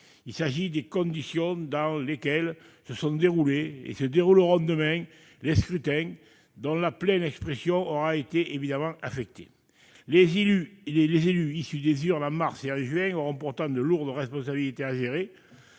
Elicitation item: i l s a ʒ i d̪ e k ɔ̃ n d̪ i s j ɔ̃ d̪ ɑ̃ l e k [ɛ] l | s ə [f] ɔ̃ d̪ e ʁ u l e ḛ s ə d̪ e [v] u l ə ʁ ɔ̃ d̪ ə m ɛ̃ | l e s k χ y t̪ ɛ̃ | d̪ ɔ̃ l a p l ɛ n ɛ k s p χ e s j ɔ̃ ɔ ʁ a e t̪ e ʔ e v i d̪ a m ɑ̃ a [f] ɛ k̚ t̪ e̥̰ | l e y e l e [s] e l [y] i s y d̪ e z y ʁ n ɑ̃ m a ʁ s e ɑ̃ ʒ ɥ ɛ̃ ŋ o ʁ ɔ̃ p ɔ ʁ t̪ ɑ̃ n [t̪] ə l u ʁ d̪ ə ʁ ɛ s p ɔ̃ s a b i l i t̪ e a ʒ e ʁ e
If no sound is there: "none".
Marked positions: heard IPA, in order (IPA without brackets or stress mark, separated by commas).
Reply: ɛ, s, ʁ, f, z, y, d̪